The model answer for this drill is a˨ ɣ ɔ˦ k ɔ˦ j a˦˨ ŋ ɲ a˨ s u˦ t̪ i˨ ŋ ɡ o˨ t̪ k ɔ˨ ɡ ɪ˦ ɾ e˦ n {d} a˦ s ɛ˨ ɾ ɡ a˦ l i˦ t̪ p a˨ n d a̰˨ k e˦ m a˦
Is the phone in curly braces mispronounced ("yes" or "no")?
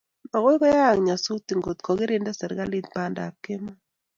no